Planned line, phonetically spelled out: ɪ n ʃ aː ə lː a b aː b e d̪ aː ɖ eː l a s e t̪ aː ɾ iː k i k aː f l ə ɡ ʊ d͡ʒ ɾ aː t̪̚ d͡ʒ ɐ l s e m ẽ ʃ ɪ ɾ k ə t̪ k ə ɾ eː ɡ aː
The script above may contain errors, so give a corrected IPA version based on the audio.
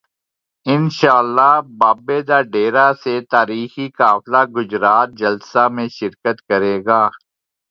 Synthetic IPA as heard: ɪ n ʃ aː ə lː a b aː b e d̪ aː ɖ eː ɾ a s e t̪ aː ɾ iː x i k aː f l a ɡ ʊ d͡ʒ ɾ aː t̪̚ d͡ʒ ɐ l s a m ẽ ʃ ɪ ɾ k ə t̪ k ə ɾ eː ɡ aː